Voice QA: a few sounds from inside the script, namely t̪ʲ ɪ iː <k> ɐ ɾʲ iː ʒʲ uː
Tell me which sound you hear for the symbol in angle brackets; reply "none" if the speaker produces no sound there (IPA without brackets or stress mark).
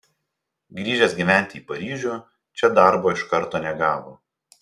p